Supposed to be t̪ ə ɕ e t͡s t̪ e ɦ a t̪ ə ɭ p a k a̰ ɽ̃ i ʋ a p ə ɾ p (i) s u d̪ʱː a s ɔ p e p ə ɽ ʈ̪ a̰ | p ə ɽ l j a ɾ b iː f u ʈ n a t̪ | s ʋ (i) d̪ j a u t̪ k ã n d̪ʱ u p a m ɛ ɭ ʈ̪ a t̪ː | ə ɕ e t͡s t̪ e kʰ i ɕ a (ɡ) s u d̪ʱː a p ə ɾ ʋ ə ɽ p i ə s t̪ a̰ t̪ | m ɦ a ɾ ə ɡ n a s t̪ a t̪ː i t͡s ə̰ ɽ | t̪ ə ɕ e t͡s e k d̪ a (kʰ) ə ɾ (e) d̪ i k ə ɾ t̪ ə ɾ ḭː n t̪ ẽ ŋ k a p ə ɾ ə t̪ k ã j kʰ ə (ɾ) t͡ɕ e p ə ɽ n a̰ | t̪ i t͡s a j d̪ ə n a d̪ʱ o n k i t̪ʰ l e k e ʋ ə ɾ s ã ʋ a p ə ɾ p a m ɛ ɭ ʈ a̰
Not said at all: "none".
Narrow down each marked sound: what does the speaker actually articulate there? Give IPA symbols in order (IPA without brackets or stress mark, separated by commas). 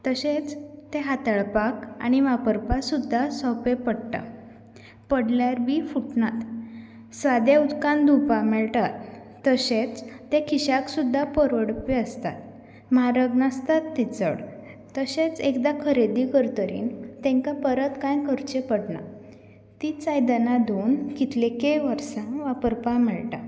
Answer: a, a, k, kʰ, e, ɾ